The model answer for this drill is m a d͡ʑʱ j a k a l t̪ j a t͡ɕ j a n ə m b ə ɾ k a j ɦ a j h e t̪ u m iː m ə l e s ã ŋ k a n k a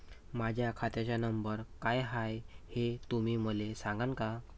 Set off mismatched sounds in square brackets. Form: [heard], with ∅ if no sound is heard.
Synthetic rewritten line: m a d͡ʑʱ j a [kʰ] a [∅] t̪ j a t͡ɕ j a n ə m b ə ɾ k a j ɦ a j h e t̪ u m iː m ə l e s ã ŋ [ɡ] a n k a